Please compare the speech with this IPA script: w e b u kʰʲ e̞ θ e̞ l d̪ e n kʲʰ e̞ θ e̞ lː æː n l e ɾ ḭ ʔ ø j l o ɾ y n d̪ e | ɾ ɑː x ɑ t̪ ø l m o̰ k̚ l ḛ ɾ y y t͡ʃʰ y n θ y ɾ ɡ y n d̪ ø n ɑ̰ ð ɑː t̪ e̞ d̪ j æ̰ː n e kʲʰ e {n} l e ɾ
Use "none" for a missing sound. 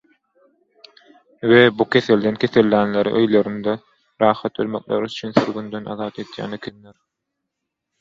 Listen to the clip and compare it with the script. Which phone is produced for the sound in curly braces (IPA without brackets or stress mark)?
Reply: n